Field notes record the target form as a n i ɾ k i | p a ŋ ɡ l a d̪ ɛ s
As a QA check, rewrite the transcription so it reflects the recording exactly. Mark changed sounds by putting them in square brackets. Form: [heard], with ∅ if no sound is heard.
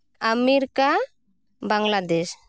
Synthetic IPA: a [m] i ɾ k [a] | [b] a ŋ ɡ l a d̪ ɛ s

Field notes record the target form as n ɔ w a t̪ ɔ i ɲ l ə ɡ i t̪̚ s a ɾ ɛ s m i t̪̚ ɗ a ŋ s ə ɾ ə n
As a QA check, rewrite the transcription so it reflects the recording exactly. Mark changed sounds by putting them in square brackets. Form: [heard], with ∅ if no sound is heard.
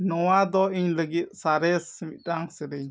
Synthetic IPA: n ɔ w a [d̪] ɔ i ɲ l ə ɡ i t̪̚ s a ɾ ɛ s m i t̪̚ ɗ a ŋ s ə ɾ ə [ɲ]

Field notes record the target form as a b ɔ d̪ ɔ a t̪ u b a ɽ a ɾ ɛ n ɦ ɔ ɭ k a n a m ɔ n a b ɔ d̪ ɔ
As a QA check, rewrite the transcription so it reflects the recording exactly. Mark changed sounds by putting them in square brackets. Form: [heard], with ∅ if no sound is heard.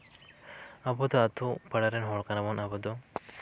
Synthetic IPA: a b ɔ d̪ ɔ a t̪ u [p] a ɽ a ɾ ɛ n ɦ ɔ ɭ k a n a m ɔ n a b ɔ d̪ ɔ

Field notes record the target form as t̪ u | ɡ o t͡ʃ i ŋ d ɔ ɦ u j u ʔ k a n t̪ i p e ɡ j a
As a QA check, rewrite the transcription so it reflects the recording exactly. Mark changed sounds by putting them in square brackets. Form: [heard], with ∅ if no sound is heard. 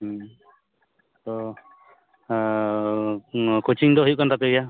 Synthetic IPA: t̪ [ɔ] | [k] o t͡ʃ i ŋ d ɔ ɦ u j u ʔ k a n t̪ [a] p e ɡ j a

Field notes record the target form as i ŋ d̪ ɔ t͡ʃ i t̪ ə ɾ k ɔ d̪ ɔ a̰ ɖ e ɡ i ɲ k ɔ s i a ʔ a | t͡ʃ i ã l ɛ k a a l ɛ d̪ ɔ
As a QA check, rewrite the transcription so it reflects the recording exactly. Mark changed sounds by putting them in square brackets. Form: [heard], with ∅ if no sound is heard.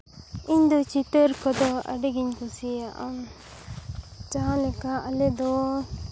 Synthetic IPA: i [ɲ] d̪ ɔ t͡ʃ i t̪ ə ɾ k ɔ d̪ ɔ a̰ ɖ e ɡ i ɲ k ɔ s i a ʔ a | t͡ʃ [a] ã l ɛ k a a l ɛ d̪ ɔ

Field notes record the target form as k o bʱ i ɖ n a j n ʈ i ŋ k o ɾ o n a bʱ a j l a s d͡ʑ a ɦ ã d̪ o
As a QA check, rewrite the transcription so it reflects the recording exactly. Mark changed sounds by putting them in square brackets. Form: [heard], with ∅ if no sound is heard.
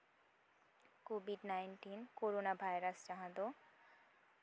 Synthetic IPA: k o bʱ i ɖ n a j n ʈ i [n] k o ɾ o n a bʱ a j [ɾ] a s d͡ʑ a ɦ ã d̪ o

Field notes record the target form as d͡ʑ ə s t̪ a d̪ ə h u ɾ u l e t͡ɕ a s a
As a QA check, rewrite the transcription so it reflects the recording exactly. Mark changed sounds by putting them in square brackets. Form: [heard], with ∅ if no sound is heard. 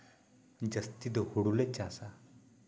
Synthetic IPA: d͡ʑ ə s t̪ [i] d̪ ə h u [ɽ] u l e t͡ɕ a s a

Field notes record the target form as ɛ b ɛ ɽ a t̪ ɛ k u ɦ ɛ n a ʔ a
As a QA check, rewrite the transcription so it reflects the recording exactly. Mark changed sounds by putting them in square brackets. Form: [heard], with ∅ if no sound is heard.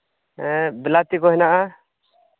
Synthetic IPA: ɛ b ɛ [l] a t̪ [i] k [ɔ] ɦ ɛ n a ʔ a

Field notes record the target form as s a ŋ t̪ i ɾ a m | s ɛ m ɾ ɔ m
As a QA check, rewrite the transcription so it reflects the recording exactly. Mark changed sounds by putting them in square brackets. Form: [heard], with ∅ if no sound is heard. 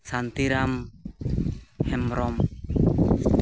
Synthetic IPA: s a [n] t̪ i ɾ a m | [h] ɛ m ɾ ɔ m

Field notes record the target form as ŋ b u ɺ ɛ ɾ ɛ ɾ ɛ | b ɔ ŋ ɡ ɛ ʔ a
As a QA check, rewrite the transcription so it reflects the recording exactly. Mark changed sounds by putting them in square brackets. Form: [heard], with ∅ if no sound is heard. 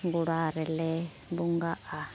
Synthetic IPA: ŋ [ɡ] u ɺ [a] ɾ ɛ [l] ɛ | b [u] ŋ ɡ [a] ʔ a

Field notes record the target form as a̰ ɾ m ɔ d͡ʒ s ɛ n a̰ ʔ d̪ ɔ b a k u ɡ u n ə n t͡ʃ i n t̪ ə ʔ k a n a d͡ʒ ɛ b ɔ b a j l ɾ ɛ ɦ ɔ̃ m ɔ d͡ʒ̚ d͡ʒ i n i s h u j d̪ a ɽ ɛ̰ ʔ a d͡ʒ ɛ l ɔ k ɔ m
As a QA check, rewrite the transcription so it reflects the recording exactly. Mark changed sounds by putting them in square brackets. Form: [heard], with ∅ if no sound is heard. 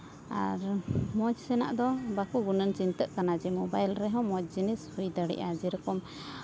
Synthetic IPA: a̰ ɾ m ɔ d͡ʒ s ɛ n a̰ ʔ d̪ ɔ b a k u ɡ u n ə n t͡ʃ i n t̪ ə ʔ k a n a d͡ʒ ɛ [m] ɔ b a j l ɾ ɛ ɦ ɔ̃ m ɔ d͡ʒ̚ d͡ʒ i n i s h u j d̪ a ɽ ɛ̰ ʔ a d͡ʒ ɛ [ɾ] ɔ k ɔ m

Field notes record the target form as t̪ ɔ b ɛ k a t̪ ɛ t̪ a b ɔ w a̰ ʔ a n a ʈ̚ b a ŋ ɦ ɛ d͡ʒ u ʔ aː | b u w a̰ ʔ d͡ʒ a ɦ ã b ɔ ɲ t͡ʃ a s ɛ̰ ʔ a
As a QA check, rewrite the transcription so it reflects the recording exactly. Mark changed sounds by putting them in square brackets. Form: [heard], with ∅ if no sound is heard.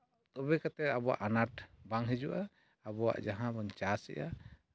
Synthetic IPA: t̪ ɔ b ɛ k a t̪ ɛ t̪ a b ɔ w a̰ ʔ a n a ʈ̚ b a ŋ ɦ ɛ d͡ʒ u ʔ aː | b [ɔ] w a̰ ʔ d͡ʒ a ɦ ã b ɔ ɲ t͡ʃ a s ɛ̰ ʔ a

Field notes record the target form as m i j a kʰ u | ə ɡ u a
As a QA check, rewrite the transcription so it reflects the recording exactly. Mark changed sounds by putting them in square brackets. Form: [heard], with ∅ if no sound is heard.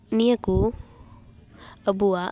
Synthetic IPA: [n] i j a [k] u | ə [b] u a

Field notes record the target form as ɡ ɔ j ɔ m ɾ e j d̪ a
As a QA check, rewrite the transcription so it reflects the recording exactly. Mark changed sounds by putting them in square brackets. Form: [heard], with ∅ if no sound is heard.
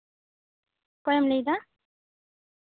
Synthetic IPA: [k] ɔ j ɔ m [l] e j d̪ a

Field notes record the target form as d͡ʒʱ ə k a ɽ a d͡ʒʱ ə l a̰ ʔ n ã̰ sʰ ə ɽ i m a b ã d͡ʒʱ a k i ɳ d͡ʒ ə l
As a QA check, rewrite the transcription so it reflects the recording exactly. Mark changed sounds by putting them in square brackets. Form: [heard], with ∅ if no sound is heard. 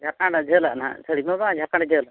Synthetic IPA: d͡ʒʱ [a] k a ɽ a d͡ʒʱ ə l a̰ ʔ n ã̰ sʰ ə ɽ i m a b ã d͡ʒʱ a k [a] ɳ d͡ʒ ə l

